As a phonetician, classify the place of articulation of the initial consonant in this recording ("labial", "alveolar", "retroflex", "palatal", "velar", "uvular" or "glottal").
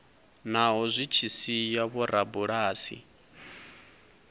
alveolar